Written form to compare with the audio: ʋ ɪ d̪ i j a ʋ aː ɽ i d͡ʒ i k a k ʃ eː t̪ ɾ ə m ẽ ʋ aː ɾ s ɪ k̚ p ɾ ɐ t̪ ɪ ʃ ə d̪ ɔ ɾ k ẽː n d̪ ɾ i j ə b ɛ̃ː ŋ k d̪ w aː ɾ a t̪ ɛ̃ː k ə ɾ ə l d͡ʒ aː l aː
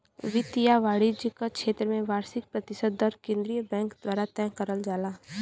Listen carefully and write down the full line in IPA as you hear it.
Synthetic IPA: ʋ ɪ t̪ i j a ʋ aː ɽ i d͡ʒ i k a k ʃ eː t̪ ɾ ə m ẽ ʋ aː ɾ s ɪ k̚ p ɾ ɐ t̪ ɪ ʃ ə d̪ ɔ ɾ k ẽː n d̪ ɾ i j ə b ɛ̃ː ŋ k d̪ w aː ɾ a t̪ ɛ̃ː k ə ɾ ə l d͡ʒ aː l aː